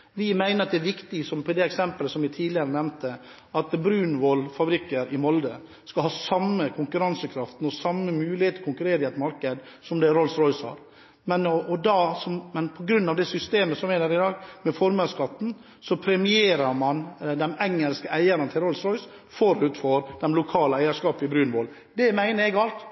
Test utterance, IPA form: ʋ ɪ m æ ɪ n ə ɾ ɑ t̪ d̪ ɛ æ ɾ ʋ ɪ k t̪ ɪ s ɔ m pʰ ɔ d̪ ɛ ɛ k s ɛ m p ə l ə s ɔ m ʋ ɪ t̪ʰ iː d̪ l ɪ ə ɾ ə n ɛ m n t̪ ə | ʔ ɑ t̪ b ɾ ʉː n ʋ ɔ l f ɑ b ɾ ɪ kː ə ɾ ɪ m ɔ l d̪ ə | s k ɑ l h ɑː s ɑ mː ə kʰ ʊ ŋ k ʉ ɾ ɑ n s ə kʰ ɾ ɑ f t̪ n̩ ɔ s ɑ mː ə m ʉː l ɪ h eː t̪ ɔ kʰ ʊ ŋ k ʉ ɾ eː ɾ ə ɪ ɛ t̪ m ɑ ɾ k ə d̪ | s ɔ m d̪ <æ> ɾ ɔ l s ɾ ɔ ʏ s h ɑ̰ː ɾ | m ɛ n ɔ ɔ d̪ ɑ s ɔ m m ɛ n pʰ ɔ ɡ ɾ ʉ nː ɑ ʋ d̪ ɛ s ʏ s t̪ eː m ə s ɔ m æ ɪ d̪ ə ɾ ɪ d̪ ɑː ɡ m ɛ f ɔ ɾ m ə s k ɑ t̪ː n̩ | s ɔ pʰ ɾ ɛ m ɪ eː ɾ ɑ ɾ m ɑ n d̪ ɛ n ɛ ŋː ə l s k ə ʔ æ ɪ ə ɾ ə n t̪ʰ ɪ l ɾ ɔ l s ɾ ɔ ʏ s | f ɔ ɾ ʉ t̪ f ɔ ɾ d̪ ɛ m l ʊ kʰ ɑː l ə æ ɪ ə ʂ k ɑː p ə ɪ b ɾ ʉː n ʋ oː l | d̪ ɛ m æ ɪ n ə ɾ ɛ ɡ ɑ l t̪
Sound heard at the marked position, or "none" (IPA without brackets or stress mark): ɛ